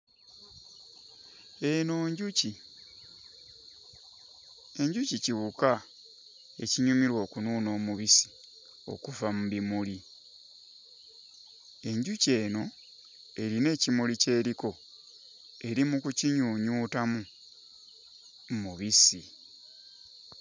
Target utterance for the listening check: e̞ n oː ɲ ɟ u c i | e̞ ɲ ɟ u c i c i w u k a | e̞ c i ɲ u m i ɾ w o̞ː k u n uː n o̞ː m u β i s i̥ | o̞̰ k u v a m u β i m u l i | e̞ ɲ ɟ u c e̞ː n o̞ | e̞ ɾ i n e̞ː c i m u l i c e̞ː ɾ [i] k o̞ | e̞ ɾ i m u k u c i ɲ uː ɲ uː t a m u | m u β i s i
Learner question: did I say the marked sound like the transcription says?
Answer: yes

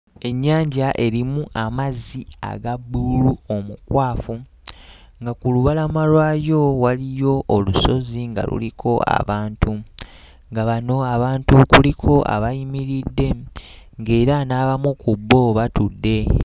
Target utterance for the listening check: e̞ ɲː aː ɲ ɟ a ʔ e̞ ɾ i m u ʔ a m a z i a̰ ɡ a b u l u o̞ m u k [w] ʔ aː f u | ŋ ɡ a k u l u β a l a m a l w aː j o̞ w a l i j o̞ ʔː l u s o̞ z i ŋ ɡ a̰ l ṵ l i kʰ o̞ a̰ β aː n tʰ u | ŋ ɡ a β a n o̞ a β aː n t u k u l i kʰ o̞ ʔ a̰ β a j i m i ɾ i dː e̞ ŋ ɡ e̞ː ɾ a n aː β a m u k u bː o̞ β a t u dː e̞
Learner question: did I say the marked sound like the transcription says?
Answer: yes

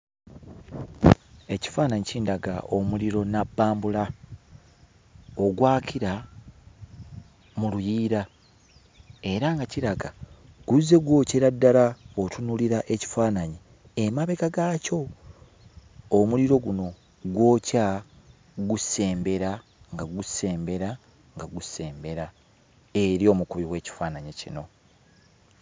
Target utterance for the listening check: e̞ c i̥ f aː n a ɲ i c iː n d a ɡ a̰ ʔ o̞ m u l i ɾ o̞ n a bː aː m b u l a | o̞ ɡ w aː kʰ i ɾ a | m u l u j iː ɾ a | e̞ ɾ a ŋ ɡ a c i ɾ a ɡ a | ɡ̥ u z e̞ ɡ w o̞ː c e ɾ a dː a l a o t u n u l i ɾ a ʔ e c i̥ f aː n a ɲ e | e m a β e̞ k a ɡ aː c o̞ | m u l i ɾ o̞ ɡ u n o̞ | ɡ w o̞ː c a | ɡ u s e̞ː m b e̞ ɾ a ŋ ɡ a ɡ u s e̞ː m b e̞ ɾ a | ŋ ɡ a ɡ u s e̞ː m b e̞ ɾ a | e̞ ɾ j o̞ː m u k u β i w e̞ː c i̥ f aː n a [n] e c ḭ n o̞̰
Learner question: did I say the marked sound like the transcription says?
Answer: no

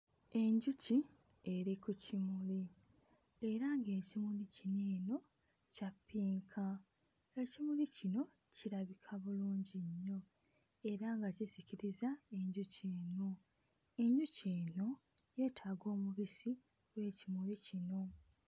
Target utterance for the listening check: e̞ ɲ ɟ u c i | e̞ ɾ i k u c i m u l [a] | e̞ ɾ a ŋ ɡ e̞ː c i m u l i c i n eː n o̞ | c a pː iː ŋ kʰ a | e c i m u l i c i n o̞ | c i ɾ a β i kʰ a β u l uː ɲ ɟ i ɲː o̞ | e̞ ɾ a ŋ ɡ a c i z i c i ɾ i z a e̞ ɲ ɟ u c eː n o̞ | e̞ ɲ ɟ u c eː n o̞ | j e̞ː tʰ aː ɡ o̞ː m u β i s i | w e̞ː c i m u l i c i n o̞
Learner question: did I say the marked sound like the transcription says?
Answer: no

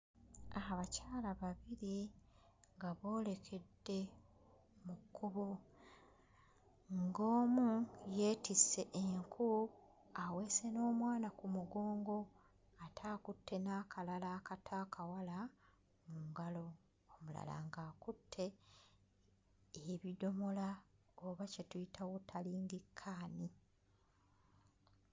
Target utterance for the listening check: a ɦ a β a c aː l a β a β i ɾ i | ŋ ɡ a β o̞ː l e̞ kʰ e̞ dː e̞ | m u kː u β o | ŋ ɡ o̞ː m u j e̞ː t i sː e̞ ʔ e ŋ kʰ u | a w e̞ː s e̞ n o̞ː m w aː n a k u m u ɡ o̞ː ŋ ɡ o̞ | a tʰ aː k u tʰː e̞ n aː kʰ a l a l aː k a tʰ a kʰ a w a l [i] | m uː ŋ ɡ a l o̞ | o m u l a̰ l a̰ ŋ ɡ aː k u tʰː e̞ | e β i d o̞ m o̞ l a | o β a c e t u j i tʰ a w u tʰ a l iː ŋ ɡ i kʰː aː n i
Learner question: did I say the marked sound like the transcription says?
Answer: no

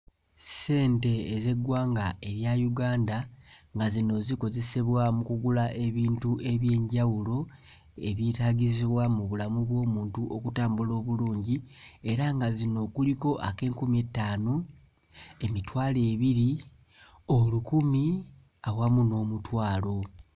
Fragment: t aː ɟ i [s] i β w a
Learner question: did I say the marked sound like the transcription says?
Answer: no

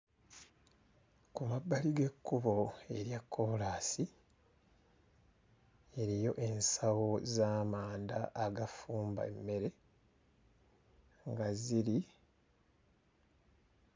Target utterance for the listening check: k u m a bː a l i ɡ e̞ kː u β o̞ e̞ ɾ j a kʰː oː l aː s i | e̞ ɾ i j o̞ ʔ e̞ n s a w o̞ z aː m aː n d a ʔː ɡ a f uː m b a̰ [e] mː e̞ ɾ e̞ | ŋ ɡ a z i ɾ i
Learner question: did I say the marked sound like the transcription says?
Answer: yes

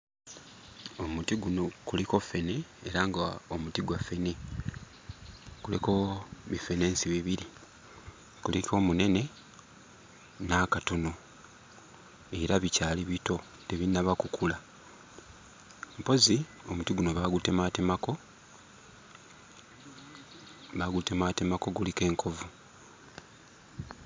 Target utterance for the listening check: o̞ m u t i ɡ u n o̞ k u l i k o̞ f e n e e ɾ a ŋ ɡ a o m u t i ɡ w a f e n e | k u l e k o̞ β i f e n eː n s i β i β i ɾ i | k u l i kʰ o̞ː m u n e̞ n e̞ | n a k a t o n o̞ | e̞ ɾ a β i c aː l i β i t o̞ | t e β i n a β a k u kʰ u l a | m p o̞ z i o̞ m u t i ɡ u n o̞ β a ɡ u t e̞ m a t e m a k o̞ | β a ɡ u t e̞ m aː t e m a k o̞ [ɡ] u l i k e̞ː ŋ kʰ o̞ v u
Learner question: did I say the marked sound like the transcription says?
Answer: yes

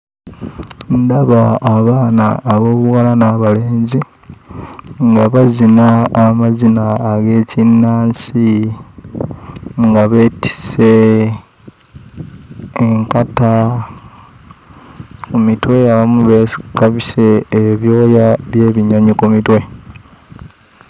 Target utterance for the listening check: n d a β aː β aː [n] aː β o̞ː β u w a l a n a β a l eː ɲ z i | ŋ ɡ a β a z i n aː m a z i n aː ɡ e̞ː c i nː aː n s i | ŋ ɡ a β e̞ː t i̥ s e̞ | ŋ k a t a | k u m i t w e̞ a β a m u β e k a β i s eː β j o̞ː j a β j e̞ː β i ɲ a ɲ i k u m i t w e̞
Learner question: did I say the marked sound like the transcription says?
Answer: yes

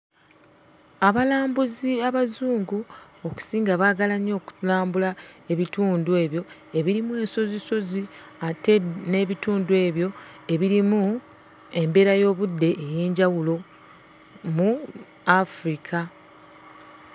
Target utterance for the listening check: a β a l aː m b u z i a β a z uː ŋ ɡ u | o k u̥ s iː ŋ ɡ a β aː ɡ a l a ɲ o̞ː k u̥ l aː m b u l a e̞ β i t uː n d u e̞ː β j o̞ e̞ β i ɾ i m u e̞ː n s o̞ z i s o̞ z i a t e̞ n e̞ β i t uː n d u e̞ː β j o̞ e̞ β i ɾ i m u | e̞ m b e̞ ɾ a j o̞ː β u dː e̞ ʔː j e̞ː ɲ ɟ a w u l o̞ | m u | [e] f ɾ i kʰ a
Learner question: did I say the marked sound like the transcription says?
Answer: no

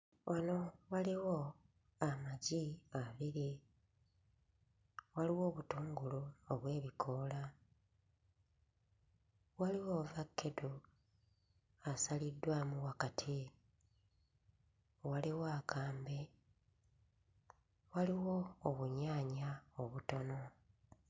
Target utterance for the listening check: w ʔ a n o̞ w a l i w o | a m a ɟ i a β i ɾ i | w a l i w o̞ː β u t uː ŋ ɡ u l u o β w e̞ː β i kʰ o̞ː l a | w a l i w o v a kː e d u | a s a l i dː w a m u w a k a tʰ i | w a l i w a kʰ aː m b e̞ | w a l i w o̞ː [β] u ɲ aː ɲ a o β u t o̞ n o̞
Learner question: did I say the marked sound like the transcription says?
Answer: yes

